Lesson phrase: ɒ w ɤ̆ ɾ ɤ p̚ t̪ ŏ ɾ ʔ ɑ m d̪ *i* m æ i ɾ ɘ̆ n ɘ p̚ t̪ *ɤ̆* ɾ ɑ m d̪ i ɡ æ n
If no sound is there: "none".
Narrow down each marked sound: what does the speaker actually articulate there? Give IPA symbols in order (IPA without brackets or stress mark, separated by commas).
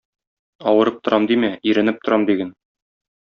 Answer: i, ŏ